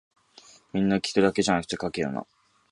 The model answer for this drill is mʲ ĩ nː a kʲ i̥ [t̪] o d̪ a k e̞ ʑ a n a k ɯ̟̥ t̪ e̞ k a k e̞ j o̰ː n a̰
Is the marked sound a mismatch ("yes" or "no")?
no